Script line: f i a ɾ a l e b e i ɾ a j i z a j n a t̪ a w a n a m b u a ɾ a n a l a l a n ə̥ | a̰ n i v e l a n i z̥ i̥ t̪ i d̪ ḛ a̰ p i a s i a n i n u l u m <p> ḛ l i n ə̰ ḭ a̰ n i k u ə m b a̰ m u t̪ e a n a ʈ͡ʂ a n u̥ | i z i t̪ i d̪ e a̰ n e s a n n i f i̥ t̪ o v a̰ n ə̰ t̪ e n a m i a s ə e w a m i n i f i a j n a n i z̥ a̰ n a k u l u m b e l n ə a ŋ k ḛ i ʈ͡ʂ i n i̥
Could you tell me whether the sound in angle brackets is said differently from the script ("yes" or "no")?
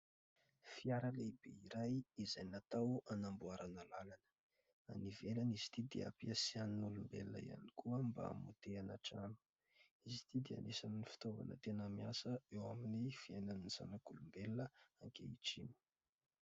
yes